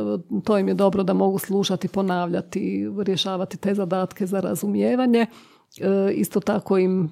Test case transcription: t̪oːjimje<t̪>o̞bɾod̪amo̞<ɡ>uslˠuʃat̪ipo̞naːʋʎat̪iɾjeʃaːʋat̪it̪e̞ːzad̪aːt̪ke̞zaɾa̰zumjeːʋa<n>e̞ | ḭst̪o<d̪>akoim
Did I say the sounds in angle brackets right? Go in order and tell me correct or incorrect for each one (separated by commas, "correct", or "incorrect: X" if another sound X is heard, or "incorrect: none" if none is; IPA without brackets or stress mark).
incorrect: d̪, correct, incorrect: ɲ, incorrect: t̪